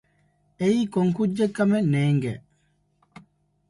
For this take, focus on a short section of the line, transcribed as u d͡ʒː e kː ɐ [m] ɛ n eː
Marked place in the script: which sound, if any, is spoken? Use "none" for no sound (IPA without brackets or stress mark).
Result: m